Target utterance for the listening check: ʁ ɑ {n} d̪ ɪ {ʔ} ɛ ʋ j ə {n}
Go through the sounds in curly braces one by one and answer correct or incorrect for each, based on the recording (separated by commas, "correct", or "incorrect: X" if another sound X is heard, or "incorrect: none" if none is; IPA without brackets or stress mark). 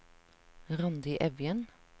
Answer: correct, correct, correct